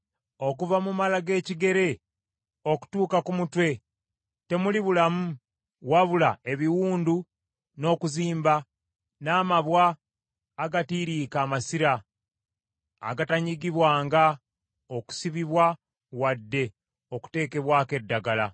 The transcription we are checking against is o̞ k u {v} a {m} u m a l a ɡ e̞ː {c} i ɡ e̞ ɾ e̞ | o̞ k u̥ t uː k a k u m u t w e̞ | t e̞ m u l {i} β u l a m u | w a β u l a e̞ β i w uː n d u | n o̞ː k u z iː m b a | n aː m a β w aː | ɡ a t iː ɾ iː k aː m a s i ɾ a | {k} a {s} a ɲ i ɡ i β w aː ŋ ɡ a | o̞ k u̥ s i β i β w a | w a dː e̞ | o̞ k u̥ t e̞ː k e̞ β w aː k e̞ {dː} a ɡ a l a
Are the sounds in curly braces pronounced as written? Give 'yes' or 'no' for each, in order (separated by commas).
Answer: yes, yes, yes, yes, no, no, yes